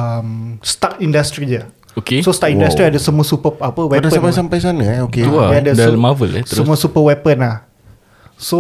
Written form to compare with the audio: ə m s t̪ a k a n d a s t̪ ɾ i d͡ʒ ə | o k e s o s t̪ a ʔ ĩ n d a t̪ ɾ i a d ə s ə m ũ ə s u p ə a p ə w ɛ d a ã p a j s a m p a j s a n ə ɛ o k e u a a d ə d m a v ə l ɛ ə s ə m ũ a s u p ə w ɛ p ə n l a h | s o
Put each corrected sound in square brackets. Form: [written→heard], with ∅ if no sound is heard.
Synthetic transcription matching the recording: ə m s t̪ a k [a→i] n d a s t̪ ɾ i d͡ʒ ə | o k e s o s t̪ a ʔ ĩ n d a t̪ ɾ i a d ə s ə m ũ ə s u p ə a p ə w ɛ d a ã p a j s a m p a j s a n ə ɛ o k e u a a d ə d m a v ə l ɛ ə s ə m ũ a s u p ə w ɛ p ə n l a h | s o